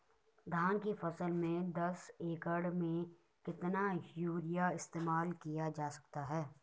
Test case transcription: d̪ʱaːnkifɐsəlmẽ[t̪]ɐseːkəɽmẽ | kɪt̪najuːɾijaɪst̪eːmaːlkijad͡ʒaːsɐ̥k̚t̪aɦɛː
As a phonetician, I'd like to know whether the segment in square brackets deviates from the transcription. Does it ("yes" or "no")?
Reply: yes